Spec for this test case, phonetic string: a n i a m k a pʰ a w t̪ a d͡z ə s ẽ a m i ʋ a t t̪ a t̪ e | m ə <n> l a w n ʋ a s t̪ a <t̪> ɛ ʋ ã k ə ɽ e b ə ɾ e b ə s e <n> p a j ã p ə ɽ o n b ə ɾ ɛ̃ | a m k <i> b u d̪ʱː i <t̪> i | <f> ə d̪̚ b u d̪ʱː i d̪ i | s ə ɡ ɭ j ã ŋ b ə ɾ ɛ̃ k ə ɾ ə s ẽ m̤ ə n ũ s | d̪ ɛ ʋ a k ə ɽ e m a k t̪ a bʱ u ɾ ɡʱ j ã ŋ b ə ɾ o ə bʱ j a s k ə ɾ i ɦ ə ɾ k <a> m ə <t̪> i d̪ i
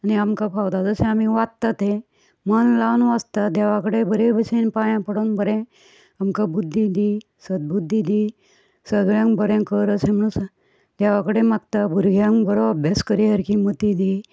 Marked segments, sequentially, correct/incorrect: correct, incorrect: d̪, correct, incorrect: a, incorrect: d̪, incorrect: s, incorrect: i, correct

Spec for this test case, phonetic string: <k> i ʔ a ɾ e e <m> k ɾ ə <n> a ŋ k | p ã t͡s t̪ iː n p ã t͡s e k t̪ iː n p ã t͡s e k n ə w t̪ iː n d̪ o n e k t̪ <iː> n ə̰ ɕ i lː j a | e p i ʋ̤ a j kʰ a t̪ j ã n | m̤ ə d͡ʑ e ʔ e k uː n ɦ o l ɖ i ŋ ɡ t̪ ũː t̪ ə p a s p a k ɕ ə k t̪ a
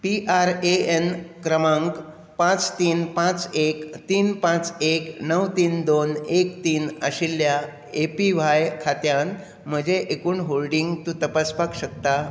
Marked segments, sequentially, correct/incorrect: incorrect: p, incorrect: n, incorrect: m, correct

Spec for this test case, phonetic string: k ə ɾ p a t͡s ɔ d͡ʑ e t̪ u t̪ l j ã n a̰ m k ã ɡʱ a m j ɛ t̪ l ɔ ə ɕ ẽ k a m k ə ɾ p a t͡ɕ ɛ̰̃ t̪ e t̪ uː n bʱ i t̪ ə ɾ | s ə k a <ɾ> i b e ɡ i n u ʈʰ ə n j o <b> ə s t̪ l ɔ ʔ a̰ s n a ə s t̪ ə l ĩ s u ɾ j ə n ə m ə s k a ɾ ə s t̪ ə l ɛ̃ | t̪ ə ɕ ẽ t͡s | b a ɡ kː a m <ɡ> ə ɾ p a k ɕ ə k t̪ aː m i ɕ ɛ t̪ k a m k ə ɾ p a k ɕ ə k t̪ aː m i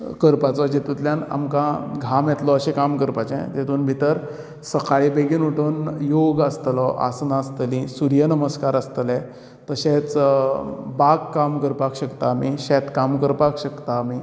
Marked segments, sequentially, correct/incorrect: incorrect: ɭ, incorrect: ɡ, incorrect: k

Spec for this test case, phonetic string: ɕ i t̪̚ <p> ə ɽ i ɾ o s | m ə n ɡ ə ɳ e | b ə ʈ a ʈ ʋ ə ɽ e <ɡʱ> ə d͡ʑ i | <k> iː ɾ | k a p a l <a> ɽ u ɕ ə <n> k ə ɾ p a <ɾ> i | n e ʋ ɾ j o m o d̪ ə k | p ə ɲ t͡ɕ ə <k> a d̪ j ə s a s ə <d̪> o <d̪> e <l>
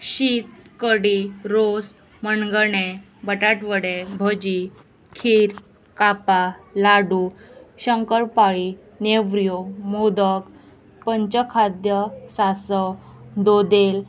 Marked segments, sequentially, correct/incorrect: incorrect: k, incorrect: bʱ, incorrect: kʰ, correct, incorrect: ŋ, incorrect: ɭ, incorrect: kʰ, correct, correct, correct

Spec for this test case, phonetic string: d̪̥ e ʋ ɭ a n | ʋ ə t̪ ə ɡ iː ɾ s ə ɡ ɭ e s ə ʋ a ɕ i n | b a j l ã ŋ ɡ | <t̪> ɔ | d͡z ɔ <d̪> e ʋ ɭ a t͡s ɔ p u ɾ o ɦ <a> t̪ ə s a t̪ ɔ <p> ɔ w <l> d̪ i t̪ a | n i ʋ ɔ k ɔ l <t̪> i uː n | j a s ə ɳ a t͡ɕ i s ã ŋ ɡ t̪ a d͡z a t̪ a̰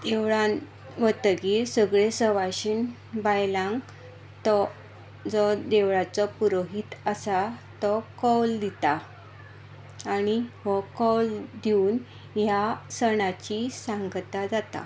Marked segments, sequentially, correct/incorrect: correct, correct, incorrect: i, incorrect: k, correct, incorrect: d̪

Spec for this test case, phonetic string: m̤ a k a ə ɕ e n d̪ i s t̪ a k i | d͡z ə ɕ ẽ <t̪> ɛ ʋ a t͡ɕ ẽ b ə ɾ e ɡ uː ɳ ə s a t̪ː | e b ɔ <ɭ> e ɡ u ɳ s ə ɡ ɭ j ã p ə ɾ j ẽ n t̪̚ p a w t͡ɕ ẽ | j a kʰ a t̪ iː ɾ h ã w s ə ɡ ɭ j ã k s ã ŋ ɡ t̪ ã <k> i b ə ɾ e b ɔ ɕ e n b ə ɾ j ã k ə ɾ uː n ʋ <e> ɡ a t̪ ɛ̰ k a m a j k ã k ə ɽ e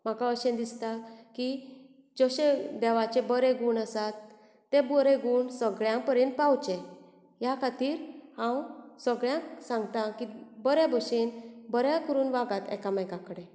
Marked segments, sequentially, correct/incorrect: incorrect: d̪, incorrect: ɾ, correct, incorrect: a

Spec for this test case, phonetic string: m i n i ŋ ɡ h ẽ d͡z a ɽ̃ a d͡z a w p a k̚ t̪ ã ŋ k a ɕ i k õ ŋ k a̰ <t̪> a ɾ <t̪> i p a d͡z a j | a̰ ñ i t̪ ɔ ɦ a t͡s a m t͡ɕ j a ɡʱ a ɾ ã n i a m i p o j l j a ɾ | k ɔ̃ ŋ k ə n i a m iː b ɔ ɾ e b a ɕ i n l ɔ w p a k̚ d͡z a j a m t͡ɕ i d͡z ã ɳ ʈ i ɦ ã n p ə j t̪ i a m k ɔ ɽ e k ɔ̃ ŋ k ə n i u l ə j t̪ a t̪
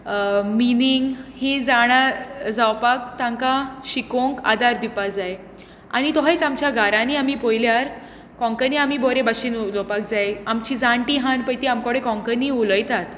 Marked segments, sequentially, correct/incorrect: incorrect: d̪, incorrect: d̪

